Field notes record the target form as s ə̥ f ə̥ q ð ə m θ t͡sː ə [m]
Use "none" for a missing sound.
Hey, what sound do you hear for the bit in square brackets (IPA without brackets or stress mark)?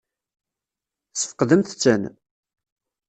n